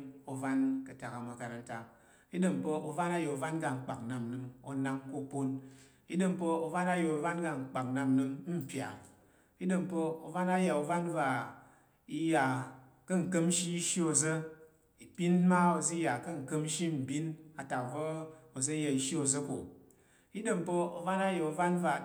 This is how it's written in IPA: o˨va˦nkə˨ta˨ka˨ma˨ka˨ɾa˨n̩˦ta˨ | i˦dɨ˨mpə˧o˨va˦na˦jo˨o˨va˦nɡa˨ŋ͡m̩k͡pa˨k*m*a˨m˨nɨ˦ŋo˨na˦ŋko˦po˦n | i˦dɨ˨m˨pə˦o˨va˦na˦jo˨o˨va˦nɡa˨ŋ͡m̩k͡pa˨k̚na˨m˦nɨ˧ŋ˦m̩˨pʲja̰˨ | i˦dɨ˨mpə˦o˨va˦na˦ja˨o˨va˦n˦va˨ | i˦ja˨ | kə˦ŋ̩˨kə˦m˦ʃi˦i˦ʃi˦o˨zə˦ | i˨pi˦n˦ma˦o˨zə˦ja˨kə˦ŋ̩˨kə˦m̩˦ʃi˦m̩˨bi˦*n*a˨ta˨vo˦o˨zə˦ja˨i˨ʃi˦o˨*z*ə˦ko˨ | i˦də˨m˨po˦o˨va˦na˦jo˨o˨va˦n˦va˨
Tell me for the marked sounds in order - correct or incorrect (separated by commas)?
incorrect, correct, correct